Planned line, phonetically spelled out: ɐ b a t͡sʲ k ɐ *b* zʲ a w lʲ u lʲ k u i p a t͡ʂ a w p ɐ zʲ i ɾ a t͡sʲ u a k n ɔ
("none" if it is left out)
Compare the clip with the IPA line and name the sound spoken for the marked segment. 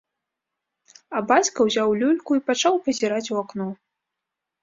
w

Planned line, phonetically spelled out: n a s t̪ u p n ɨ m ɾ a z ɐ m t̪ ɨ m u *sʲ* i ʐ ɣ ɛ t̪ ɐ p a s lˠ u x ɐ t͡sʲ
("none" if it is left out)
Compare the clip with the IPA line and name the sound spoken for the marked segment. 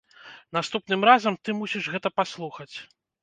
sʲ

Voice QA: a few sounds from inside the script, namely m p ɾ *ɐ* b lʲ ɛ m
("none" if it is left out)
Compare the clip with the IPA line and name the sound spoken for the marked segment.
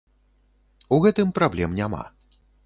a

